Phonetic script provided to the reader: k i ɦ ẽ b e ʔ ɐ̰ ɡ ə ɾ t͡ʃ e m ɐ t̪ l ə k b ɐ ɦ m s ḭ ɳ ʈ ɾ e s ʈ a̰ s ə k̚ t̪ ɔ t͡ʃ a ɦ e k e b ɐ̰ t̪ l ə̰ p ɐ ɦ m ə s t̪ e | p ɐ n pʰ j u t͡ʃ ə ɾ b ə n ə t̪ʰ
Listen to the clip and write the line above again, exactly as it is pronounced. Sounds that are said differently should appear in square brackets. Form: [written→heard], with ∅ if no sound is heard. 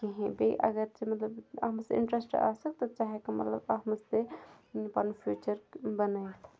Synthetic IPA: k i ɦ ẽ b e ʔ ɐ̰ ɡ ə ɾ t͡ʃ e m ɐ t̪ l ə [k→∅] b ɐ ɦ m s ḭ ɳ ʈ ɾ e s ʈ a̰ s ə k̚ t̪ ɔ t͡ʃ a ɦ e k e [b→m] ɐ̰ t̪ l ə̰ [p→b] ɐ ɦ m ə s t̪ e | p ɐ n pʰ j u t͡ʃ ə ɾ b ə n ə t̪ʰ